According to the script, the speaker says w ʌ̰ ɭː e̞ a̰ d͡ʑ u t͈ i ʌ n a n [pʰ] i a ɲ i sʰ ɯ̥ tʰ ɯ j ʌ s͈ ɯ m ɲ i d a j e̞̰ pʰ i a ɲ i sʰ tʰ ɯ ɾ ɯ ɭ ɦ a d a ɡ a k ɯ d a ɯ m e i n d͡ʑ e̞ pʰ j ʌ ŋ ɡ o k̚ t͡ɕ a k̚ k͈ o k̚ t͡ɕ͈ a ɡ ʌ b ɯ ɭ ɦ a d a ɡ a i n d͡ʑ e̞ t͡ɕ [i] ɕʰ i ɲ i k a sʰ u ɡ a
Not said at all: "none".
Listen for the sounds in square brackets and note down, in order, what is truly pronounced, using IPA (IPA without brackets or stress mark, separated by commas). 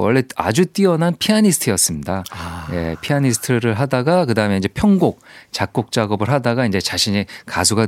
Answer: pʰ, a